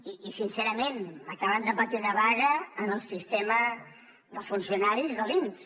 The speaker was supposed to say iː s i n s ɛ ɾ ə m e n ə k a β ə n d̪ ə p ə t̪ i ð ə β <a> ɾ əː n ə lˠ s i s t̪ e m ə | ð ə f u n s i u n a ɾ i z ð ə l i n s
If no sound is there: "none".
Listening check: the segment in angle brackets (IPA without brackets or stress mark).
a